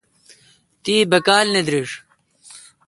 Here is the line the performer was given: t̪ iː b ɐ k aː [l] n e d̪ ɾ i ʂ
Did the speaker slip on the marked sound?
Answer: no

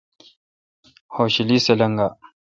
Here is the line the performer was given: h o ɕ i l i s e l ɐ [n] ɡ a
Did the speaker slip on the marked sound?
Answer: yes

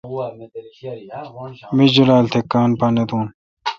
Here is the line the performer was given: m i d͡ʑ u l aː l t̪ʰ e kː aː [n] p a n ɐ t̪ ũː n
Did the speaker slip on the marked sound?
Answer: no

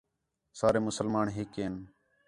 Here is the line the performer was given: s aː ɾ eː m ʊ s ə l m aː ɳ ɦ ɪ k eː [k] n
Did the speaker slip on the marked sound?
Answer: yes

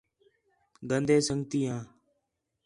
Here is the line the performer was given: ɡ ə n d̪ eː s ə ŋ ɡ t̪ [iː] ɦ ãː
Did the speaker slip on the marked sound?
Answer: no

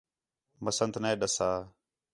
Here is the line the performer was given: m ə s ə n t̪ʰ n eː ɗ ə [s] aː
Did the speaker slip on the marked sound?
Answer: no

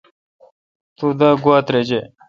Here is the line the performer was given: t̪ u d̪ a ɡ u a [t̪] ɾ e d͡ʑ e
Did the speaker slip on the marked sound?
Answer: no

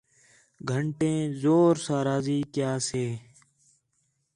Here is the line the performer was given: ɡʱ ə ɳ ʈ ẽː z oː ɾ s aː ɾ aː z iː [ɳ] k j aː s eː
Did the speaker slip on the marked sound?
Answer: yes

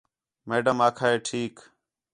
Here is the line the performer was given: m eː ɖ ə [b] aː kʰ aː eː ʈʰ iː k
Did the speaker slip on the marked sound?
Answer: yes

